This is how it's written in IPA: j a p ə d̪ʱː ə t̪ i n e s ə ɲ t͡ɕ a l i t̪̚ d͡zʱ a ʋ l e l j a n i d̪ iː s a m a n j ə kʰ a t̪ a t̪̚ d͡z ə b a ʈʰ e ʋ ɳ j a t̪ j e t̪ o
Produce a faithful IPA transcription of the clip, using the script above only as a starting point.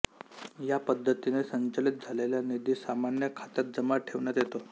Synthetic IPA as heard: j a p ə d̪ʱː ə t̪ i n e s ə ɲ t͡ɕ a l i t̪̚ d͡zʱ a l e l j a n i d̪ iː s a m a n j ə kʰ a t̪ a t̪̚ d͡z ə m a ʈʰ e ʋ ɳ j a t̪ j e t̪ o